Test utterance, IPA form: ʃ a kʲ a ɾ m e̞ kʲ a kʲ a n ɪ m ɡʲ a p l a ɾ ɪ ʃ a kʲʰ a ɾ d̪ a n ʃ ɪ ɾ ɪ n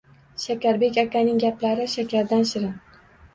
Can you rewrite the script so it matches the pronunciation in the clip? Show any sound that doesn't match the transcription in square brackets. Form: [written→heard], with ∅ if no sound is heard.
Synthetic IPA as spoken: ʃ a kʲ a ɾ [m→b] e̞ kʲ a kʲ a n ɪ [m→ŋ] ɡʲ a p l a ɾ ɪ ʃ a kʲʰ a ɾ d̪ a n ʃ ɪ ɾ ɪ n